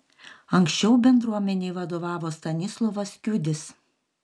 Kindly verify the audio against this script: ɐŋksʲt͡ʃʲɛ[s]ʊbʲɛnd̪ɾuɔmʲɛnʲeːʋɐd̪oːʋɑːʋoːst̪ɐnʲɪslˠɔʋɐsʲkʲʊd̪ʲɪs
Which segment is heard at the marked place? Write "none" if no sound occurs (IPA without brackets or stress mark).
none